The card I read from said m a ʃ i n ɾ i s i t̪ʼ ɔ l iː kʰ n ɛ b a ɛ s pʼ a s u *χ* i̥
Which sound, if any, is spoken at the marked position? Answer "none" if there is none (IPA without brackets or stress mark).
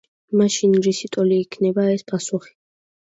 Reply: χ